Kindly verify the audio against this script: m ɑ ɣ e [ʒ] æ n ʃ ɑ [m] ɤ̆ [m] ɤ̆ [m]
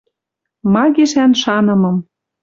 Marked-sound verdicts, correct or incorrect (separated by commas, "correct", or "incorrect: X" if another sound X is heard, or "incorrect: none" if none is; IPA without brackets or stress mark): incorrect: ʃ, incorrect: n, correct, correct